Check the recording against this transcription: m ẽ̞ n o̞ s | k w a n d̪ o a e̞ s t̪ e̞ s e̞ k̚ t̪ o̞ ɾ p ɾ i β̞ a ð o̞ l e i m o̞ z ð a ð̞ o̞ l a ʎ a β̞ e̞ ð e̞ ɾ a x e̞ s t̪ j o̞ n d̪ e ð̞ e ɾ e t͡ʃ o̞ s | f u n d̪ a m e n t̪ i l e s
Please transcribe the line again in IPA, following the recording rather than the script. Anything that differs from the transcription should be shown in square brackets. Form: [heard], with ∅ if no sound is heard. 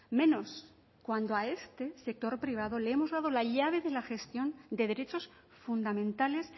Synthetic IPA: m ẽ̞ n o̞ s | k w a n d̪ o a e̞ s t̪ e̞ s e̞ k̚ t̪ o̞ ɾ p ɾ i β̞ a ð o̞ l e [e] m o̞ z ð a ð̞ o̞ l a ʎ a β̞ e̞ ð e̞ [l] a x e̞ s t̪ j o̞ n d̪ e ð̞ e ɾ e t͡ʃ o̞ s | f u n d̪ a m [ẽ] n t̪ [a] l e s